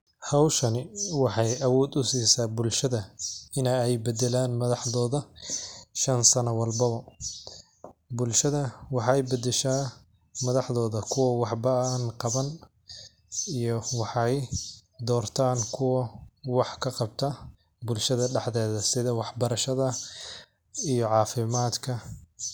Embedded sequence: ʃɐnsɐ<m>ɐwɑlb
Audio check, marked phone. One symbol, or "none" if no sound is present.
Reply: n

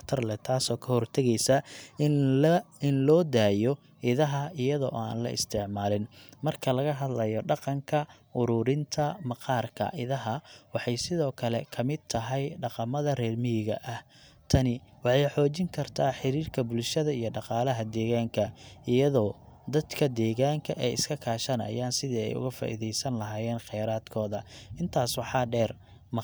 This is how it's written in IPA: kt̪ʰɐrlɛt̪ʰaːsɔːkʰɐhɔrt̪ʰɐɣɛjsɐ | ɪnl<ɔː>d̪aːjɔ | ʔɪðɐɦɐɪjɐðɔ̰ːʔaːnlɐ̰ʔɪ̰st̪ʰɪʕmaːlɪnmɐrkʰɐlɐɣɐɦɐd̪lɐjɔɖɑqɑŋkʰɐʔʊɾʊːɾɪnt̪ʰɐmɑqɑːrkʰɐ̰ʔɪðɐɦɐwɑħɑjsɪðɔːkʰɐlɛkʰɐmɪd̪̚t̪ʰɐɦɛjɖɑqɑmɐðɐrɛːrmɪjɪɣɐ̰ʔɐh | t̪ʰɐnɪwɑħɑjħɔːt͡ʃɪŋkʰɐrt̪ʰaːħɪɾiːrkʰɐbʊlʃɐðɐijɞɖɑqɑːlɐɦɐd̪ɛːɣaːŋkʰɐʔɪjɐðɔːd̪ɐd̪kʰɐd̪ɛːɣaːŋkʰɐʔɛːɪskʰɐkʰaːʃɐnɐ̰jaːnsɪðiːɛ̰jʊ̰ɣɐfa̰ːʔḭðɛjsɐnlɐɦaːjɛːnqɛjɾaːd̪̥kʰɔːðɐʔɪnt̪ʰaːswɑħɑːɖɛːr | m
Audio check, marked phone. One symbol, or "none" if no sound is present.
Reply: ɔː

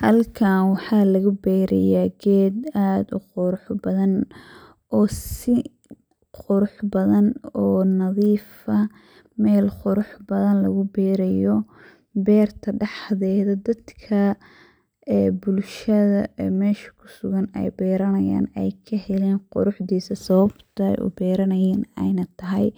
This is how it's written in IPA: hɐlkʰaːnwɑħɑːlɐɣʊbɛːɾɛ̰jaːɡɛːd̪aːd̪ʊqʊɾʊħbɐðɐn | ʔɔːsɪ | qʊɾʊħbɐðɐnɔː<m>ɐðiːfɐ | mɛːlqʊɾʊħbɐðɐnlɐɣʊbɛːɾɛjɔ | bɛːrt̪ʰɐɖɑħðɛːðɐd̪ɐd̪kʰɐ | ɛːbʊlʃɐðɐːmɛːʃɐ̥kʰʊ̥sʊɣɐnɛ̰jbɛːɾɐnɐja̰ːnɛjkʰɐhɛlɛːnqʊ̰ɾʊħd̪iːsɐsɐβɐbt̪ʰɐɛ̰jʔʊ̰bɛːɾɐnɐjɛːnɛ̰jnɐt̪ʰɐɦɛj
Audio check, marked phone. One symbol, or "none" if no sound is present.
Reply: n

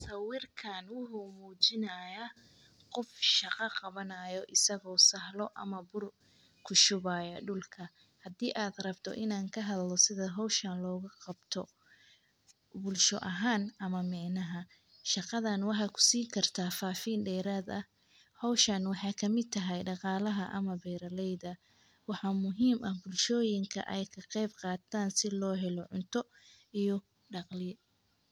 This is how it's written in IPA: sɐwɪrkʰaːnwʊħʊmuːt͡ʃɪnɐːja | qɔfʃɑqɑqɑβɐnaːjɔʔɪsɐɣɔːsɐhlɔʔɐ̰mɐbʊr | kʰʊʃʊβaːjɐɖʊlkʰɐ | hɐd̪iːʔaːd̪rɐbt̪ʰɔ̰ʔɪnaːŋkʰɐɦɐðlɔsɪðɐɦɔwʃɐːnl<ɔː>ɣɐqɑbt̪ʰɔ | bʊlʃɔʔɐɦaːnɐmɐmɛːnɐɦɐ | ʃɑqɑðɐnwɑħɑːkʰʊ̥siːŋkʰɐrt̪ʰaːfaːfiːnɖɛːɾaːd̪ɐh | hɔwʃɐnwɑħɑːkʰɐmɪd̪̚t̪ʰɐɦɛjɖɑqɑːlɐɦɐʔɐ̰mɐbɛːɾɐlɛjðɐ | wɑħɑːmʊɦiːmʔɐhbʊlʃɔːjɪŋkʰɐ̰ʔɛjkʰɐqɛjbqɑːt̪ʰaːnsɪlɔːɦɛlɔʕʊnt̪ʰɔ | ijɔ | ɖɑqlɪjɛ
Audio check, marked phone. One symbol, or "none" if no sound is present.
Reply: ɔː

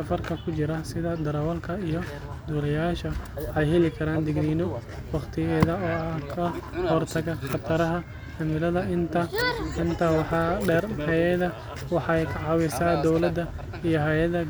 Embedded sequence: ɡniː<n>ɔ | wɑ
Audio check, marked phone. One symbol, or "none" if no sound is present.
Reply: n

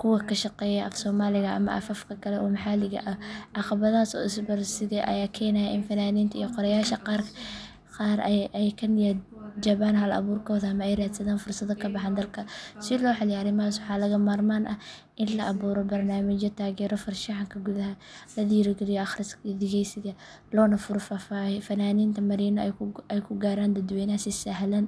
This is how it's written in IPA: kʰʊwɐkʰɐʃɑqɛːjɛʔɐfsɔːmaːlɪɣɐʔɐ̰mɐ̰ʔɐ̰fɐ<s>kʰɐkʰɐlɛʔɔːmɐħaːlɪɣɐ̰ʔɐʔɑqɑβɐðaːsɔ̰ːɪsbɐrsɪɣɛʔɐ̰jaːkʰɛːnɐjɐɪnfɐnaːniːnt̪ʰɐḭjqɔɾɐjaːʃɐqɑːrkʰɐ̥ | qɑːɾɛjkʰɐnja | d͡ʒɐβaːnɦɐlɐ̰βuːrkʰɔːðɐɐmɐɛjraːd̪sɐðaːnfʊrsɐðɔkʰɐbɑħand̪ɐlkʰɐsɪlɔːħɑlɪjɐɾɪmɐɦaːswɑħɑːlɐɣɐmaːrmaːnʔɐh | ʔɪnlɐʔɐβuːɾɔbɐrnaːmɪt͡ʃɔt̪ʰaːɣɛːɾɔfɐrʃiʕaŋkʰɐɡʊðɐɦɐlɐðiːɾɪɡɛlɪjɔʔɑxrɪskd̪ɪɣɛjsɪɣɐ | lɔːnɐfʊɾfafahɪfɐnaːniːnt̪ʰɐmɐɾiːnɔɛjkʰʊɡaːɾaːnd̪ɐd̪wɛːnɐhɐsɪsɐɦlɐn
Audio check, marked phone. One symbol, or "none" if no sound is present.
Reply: f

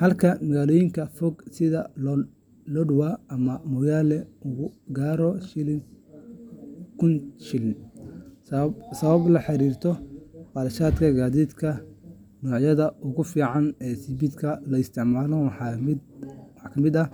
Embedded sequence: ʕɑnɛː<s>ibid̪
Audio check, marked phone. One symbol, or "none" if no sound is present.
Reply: s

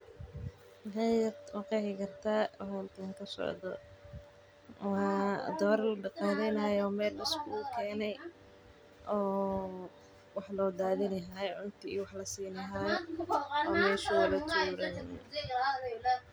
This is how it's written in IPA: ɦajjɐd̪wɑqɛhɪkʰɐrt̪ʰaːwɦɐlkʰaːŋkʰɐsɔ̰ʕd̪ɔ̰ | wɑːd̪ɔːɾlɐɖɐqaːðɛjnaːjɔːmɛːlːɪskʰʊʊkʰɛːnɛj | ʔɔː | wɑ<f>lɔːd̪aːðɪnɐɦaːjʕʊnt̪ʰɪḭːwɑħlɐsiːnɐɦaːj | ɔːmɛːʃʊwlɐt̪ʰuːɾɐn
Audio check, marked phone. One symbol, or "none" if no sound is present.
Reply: ħ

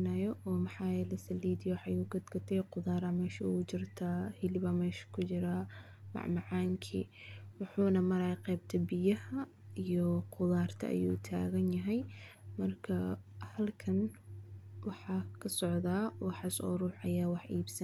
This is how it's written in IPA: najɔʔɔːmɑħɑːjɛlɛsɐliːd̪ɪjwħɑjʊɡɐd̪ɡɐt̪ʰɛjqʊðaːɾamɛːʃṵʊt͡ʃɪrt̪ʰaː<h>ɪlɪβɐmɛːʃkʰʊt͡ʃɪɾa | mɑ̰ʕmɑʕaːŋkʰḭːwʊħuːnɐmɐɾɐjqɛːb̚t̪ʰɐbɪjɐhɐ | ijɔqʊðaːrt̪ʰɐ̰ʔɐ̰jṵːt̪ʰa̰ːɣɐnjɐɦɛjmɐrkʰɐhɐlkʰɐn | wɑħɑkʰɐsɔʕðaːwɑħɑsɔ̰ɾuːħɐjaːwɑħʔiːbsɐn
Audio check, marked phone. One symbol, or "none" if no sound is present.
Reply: h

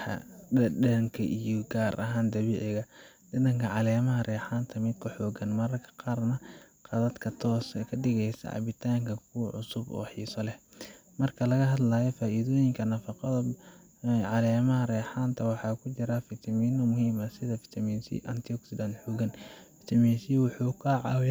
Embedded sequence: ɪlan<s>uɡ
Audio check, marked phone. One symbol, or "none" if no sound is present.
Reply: ħ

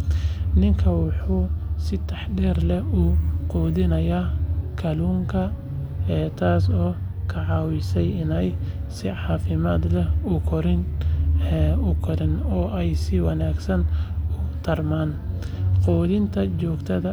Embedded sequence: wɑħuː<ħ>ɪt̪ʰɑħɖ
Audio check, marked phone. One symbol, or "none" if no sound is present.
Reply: s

